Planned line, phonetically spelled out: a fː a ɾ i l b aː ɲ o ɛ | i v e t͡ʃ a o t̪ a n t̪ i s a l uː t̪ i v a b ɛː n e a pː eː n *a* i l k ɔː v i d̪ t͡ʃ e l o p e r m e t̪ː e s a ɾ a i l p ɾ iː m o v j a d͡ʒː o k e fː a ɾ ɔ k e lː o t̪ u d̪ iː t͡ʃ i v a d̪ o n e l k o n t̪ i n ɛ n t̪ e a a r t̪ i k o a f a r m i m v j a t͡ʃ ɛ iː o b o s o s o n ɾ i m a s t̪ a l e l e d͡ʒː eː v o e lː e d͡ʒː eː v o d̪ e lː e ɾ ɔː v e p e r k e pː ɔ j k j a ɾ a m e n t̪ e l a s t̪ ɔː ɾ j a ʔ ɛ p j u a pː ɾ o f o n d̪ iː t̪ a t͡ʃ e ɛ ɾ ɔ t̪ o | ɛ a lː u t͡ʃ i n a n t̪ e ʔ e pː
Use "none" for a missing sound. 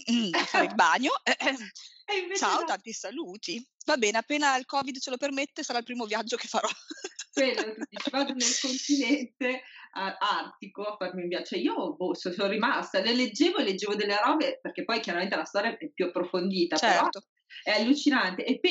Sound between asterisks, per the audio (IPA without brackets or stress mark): a